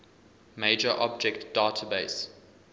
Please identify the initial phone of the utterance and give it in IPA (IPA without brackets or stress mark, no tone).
m